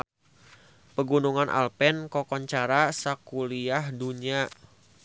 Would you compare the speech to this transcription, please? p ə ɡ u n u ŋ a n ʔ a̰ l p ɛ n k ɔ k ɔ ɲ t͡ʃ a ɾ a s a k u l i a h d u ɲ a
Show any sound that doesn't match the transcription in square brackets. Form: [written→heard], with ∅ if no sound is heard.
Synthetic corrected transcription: p ə ɡ u n u ŋ a n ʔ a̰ l p ɛ n k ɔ k ɔ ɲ t͡ʃ a ɾ a s a k u l i a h d u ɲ a